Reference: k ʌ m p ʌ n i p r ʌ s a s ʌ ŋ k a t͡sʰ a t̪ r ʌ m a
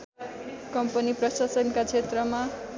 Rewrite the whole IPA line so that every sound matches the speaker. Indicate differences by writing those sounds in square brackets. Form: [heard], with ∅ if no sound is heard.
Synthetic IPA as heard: k ʌ m p ʌ n i p r ʌ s a s ʌ [n] k a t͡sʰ [e] t̪ r ʌ m a